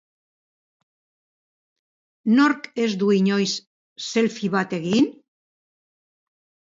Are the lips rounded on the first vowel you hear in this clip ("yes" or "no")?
yes